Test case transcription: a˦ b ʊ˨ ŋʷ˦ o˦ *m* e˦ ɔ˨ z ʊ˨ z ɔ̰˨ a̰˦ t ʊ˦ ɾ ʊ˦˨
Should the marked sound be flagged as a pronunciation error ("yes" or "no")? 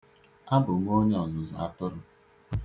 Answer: yes